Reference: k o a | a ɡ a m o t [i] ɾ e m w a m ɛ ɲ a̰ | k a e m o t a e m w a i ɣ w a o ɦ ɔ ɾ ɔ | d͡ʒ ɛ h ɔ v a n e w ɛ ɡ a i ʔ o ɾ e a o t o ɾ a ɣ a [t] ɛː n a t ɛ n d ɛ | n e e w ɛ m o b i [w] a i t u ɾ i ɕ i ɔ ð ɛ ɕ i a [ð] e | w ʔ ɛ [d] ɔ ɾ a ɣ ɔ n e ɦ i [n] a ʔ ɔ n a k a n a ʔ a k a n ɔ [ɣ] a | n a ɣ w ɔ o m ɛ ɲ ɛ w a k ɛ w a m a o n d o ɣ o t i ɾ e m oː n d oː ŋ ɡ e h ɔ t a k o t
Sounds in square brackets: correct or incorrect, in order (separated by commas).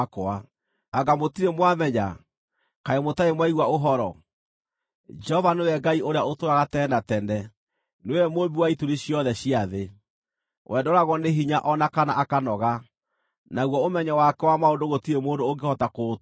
correct, correct, correct, correct, correct, incorrect, correct